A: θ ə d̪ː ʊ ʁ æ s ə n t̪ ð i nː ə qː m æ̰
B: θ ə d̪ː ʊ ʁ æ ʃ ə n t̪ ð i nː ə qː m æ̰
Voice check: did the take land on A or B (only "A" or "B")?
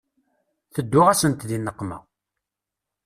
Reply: A